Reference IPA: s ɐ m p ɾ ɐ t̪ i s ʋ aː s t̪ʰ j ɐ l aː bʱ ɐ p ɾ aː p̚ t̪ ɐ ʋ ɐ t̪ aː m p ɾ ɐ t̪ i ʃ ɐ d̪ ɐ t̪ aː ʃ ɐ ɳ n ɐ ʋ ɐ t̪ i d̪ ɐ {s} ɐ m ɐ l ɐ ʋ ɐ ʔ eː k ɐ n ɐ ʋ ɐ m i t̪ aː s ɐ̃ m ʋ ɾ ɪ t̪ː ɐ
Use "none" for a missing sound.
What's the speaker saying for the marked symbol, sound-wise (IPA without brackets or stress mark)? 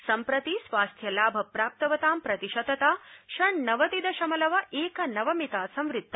ʃ